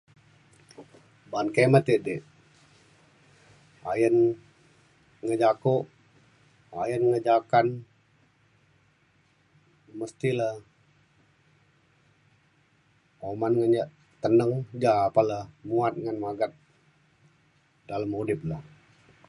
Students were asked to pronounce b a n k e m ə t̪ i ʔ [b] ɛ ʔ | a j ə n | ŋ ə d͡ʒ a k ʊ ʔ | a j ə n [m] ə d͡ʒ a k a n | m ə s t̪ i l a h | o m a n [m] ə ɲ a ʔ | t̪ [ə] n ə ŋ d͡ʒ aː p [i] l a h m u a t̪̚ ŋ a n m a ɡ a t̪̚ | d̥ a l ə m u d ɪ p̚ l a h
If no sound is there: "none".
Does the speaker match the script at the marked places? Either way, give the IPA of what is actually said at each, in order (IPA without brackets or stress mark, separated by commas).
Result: d, ŋ, ŋ, ə, a